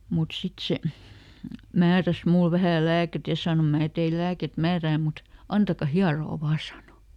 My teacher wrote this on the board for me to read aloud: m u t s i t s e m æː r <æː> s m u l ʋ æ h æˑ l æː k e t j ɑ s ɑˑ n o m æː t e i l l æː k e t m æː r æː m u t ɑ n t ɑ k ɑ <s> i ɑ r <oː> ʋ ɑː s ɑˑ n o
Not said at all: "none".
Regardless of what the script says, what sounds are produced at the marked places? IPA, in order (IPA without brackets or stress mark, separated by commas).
æ, h, oː